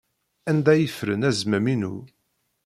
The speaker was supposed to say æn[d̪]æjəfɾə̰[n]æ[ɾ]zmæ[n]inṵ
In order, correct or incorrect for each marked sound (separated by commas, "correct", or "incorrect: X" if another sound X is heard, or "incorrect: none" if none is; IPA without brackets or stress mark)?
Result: correct, correct, incorrect: none, incorrect: m